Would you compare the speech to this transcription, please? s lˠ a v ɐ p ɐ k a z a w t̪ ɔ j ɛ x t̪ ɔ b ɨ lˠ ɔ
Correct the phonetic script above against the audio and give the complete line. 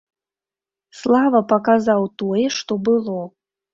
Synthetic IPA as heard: s lˠ a v ɐ p ɐ k a z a w t̪ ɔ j ɛ ʂ t̪ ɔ b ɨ lˠ ɔ